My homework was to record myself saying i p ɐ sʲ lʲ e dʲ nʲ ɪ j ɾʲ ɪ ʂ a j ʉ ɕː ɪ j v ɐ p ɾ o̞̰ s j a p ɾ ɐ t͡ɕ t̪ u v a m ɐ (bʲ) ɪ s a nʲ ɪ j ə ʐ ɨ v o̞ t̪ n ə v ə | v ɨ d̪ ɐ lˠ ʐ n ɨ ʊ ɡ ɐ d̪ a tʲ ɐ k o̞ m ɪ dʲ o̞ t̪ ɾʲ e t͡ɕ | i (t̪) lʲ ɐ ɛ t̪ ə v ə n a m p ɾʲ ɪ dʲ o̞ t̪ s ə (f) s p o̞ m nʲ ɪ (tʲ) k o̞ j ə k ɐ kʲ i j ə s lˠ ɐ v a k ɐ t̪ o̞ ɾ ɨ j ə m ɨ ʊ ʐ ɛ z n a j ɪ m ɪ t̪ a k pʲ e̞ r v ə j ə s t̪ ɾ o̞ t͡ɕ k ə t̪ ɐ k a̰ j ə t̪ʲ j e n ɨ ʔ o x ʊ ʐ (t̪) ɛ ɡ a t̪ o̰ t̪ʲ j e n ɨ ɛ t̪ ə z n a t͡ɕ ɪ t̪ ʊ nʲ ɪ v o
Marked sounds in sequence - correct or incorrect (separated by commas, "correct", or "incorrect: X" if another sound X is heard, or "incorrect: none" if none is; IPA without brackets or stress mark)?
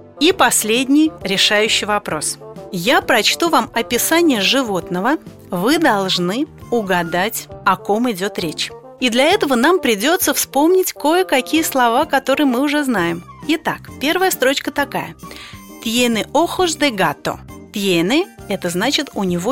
incorrect: pʲ, incorrect: d̪, correct, correct, incorrect: d̪